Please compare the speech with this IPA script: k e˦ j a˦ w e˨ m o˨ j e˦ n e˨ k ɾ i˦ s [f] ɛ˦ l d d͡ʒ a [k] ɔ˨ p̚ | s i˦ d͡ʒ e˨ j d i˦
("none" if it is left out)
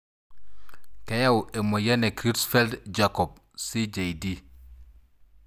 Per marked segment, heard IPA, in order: f, k

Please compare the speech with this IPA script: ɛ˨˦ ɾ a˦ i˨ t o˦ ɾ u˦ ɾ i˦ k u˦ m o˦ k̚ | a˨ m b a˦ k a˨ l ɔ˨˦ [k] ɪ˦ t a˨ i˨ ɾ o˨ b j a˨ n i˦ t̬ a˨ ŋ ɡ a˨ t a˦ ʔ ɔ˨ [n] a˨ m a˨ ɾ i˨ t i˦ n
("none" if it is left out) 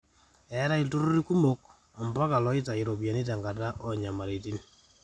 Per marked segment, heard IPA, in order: none, ɲ

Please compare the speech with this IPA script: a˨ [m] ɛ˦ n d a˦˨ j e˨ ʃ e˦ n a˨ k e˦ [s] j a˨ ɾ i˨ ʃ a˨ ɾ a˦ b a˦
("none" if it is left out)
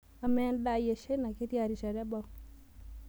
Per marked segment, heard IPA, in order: m, t

